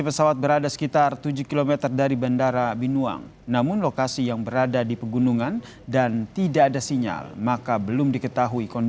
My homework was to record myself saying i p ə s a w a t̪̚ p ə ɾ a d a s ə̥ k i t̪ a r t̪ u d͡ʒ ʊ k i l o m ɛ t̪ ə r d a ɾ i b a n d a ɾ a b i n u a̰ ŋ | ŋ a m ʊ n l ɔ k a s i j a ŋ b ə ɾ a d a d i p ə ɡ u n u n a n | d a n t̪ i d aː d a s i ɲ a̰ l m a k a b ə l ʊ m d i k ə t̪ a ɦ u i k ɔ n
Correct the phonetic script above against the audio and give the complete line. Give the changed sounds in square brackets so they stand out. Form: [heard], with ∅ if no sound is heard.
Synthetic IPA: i p ə s a w a t̪̚ [b] ə ɾ a d a s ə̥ k i t̪ a r t̪ u d͡ʒ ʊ k i l o m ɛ t̪ ə r d a ɾ i b a n d a ɾ a b i n u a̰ ŋ | [n] a m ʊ n l [o] k a s i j a ŋ b ə ɾ a d a d i p ə ɡ u n u [ŋ] a n | d a n t̪ i d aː d a s i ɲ a̰ l m a k a b ə l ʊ m d i k ə t̪ a ɦ u i k ɔ n

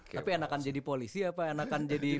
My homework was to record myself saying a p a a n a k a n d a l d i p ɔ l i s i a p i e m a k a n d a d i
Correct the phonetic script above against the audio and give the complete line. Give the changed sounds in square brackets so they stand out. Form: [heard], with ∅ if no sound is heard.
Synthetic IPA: a p [i] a n a k a n [d͡ʒ] a [∅] d i p [o] l i s i a p [a] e [n] a k a n [d͡ʒ] a d i

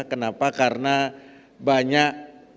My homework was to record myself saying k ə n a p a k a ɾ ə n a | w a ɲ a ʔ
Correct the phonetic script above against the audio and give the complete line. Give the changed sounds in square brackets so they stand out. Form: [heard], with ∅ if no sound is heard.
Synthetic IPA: k ə n a p a k a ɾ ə n a | [b] a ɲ a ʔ

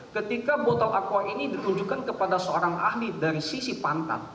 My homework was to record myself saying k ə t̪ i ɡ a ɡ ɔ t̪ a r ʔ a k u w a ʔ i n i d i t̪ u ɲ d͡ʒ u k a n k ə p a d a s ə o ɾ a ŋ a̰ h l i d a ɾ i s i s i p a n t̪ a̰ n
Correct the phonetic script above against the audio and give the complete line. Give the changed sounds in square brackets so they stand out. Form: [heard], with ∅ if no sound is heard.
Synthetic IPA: k ə t̪ i [k] a [b] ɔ t̪ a [l] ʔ a k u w a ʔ i n i d i t̪ u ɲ d͡ʒ u k a n k ə p a d a s ə o ɾ a ŋ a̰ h l i d a ɾ i s i s i p a n t̪ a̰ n

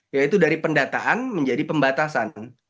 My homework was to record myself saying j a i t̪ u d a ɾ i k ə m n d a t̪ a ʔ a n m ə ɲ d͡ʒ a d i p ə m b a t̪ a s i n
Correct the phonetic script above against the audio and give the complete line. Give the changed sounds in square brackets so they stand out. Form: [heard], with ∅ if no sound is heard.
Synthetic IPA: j a i t̪ u d a ɾ i [p] ə [∅] n d a t̪ a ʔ a n m ə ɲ d͡ʒ a d i p ə m b a t̪ a s [a] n

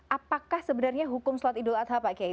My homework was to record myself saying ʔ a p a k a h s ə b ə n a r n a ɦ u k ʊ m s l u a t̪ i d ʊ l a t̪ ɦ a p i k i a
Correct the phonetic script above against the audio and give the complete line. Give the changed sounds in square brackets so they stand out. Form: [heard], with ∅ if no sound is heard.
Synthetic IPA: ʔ a p a k a h s ə b ə n a r [ɲ] a ɦ u k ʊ m s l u a t̪ i d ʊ l a t̪ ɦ a p [a] k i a

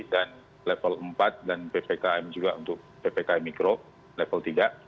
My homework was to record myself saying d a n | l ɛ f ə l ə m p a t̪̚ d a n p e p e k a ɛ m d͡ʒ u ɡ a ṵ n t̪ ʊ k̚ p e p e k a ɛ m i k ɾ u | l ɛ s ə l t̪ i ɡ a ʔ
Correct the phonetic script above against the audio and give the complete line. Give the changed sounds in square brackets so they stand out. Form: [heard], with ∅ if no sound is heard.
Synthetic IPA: d a n | l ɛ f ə l ə m p a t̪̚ d a n p e p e k a ɛ m d͡ʒ u ɡ a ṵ n t̪ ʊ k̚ p e p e k a ɛ m i k ɾ [o] | l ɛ [f] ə l t̪ i ɡ a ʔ

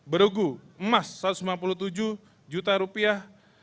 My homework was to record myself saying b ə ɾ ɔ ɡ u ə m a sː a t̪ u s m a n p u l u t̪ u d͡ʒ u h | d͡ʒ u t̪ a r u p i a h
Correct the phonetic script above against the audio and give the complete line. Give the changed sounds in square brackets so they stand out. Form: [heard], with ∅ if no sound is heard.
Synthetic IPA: b ə ɾ [u] ɡ u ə m a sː a t̪ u s m a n p u l u t̪ u d͡ʒ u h | d͡ʒ u t̪ a [ɾ] u p i a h

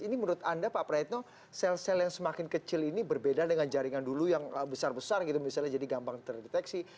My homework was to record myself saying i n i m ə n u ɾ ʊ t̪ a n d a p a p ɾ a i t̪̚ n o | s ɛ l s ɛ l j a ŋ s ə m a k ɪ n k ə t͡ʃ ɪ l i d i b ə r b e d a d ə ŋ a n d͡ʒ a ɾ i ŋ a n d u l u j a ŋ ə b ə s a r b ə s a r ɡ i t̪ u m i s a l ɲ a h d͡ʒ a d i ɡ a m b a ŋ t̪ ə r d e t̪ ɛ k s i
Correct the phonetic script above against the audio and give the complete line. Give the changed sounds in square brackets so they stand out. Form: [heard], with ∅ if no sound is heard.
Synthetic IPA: i n i m ə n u ɾ ʊ t̪ a n d a p a p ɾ a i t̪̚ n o | s ɛ l s ɛ l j a ŋ s ə m a k ɪ n k ə t͡ʃ ɪ l i [n] i b ə r b e d a d ə ŋ a n d͡ʒ a ɾ i ŋ a n d u l u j a ŋ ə b ə s a r b ə s a r ɡ i t̪ u m i s a l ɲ a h d͡ʒ a d i ɡ a m b a ŋ t̪ ə r d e t̪ ɛ k s i

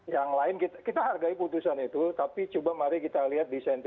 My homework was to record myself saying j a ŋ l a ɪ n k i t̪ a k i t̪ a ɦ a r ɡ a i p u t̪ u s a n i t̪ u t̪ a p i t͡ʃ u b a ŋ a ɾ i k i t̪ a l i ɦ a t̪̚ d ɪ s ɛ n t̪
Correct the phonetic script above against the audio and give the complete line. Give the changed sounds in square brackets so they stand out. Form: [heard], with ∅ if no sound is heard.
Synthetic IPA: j a ŋ l a ɪ n k i t̪ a k i t̪ a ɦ a r ɡ a i p u t̪ u s a n i t̪ u t̪ a p i t͡ʃ u b a [m] a ɾ i k i t̪ a l i ɦ a t̪̚ d [i] s ɛ n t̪

